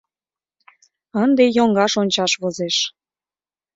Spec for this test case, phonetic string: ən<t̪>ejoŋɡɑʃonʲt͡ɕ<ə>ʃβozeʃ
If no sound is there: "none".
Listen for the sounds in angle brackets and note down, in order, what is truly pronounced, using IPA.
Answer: d̪, ɑ

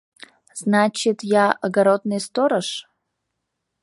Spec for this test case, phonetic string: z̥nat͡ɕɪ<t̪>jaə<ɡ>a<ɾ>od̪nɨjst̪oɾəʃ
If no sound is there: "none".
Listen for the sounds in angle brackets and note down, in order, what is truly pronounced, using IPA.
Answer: t̪, ɡ, ɾ

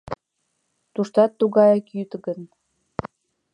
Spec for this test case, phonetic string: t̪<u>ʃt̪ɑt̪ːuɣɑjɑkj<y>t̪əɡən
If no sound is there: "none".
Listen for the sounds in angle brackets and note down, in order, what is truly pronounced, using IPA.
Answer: u, y

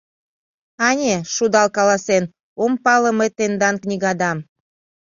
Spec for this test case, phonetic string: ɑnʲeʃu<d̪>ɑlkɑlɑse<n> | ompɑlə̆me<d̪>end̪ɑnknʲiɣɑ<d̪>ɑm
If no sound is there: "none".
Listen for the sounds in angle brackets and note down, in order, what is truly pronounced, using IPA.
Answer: d̪, n, t̪, d̪

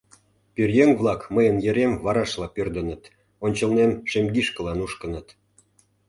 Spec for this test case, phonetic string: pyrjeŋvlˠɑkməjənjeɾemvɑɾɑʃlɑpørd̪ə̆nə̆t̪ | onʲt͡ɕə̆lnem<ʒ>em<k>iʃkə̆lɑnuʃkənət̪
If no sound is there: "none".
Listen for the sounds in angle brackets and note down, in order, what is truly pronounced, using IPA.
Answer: ʃ, ɡ

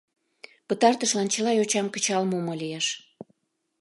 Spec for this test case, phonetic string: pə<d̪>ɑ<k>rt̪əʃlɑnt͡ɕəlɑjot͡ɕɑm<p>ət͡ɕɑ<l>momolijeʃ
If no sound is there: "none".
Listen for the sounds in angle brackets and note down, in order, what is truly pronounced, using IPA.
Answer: t̪, none, k, l

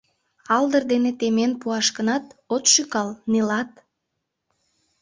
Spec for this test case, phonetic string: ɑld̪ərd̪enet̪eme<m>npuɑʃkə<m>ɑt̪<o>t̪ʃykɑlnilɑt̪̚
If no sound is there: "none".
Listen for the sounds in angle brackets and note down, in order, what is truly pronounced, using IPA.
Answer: none, n, o

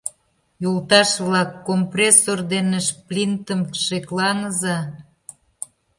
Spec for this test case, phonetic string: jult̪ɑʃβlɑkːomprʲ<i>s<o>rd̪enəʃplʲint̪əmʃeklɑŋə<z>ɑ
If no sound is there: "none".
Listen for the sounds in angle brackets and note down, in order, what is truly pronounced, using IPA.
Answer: e, o, z

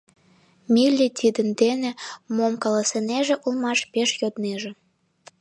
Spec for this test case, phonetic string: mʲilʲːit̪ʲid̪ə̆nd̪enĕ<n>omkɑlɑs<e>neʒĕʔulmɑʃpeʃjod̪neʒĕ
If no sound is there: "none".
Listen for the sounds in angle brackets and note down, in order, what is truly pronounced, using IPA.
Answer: m, e

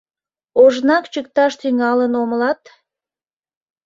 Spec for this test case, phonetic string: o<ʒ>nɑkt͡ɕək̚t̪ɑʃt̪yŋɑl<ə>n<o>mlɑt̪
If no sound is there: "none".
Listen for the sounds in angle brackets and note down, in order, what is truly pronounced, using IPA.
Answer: ʒ, ə, o

